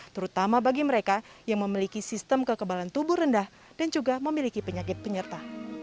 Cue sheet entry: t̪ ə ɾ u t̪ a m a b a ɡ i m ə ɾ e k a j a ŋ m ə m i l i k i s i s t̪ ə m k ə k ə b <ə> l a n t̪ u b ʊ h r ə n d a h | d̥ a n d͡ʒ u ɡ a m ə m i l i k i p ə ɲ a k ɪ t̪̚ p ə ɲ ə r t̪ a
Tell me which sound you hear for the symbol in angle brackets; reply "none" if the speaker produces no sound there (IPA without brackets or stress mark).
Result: a